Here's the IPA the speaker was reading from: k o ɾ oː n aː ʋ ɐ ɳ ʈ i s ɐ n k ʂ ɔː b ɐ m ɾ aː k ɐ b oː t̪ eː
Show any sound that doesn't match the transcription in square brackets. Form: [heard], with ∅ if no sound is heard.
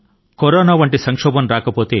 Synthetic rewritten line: k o ɾ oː n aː ʋ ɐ ɳ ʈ i s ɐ [ŋ] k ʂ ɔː b ɐ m ɾ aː k ɐ [p] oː t̪ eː